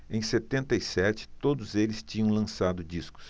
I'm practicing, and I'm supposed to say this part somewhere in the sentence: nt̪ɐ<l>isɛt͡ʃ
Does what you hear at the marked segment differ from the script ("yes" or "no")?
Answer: yes